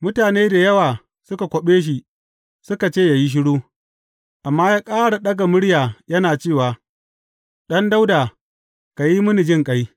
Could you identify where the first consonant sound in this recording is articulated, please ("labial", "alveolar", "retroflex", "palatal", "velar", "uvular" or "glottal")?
labial